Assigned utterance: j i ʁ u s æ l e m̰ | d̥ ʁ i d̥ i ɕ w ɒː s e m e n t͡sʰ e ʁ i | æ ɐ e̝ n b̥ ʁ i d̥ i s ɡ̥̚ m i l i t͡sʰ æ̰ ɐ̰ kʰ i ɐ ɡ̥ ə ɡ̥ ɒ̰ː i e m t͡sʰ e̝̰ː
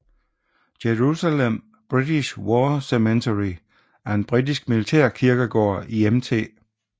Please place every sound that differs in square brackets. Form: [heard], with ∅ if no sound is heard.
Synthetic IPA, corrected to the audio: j [e] ʁ u s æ l e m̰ | [b̥] ʁ i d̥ i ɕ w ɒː s e m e n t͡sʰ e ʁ i | æ ɐ e̝ n b̥ ʁ i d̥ i s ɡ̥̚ m i l i t͡sʰ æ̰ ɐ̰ kʰ i ɐ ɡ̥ ə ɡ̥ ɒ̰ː i e m t͡sʰ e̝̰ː